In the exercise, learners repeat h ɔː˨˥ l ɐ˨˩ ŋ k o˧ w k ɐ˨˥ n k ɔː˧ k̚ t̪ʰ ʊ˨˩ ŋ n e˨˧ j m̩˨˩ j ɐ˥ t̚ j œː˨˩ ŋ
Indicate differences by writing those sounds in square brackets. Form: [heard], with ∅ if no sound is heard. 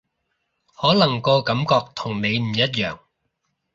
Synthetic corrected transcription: h ɔː˨˥ l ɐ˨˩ ŋ k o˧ w k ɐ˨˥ [m] k ɔː˧ k̚ t̪ʰ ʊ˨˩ ŋ n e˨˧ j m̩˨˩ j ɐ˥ t̚ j œː˨˩ ŋ